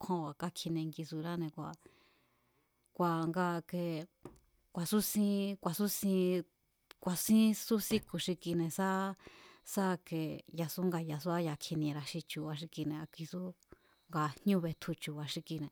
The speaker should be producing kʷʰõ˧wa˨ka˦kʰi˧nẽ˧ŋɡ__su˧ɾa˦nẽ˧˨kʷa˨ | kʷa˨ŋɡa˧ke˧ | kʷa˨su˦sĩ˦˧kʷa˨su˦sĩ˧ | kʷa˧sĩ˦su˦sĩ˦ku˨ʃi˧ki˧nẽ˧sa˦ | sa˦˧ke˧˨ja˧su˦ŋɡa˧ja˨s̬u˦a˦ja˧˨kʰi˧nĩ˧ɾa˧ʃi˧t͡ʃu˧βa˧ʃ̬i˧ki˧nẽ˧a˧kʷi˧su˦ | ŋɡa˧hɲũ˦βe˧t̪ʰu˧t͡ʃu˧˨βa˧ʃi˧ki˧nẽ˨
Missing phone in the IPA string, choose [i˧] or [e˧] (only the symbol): i˧